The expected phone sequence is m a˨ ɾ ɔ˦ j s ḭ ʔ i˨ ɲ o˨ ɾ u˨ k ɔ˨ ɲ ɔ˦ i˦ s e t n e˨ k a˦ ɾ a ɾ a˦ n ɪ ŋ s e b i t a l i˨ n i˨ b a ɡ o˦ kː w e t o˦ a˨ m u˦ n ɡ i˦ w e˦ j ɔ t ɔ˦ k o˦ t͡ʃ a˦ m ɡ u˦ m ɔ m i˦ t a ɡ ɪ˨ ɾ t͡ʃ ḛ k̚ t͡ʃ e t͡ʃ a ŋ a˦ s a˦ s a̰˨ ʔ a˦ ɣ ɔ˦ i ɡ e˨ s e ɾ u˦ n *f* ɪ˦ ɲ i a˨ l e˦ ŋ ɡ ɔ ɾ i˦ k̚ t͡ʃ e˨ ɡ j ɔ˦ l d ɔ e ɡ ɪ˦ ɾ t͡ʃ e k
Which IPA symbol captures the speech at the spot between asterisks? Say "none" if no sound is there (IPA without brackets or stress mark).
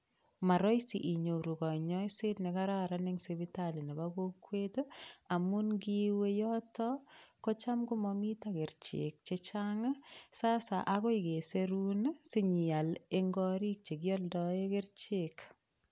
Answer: s